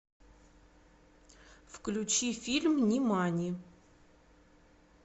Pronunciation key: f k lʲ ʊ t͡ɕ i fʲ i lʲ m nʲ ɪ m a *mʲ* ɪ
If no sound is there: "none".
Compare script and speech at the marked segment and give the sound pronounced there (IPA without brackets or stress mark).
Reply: nʲ